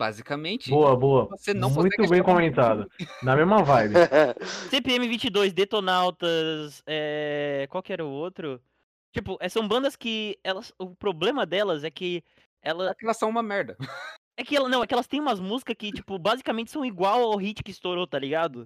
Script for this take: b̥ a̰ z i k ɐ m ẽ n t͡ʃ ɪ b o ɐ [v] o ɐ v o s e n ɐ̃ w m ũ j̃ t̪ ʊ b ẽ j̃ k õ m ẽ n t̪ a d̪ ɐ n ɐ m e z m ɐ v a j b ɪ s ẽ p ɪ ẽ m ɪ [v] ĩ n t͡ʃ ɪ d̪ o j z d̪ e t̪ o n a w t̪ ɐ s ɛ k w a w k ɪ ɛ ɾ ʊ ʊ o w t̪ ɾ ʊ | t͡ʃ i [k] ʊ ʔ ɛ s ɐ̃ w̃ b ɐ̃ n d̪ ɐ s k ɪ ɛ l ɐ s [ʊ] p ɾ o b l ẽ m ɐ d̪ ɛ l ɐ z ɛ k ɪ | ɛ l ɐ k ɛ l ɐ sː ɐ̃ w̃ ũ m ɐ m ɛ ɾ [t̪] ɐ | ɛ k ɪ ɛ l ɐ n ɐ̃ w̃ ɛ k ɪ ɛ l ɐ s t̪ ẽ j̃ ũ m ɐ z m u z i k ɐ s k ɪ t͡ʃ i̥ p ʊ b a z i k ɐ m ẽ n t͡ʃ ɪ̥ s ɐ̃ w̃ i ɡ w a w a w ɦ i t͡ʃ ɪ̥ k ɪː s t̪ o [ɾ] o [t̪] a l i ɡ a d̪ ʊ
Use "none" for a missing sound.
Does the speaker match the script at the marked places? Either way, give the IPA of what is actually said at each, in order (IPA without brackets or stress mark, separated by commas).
b, v, p, ʊ, d̪, ɾ, t̪